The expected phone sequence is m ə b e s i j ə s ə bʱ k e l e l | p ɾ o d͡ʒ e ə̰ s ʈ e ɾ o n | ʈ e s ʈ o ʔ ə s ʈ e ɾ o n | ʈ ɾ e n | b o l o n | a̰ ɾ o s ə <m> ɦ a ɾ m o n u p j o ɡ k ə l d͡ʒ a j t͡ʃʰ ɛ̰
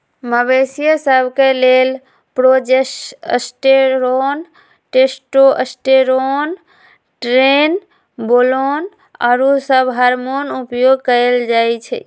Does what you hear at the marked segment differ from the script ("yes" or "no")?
yes